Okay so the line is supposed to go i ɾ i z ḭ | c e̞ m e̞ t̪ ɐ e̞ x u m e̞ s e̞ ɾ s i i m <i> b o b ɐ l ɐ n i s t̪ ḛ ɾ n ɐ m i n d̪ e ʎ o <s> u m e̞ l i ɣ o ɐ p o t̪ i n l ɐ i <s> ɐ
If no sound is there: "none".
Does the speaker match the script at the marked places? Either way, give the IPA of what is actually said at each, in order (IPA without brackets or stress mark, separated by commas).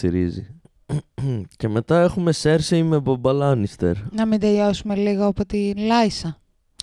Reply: e, s, s